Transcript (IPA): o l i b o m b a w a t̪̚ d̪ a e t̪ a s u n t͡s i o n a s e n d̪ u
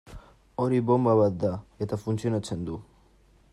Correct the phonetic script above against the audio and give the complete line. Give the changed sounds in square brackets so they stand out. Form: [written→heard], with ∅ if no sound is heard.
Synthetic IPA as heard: o [l→ɾ] i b o m b a [w→β] a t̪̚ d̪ a e t̪ a [s→f] u n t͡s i o n a [s→t͡s] e n d̪ u

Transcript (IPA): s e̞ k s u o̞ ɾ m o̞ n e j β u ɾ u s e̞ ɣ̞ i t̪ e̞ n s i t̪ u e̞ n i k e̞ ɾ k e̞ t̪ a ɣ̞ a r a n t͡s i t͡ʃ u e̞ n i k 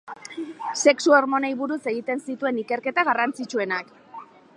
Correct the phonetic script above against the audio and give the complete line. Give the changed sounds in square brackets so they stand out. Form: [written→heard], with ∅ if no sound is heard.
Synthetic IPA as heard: s e̞ k s u o̞ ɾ m o̞ n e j β u ɾ u s e̞ ɣ̞ i t̪ e̞ n s i t̪ u e̞ n i k e̞ ɾ k e̞ t̪ a ɣ̞ a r a n t͡s i t͡ʃ u e̞ n [i→a] k

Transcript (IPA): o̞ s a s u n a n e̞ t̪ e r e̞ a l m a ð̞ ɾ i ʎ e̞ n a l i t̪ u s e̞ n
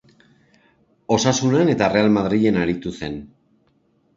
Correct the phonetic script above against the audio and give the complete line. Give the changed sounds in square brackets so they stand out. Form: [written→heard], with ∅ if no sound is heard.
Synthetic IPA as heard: o̞ s a s u n a n e̞ t̪ [e→a] r e̞ a l m a ð̞ ɾ i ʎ e̞ n a [l→ɾ] i t̪ u s e̞ n

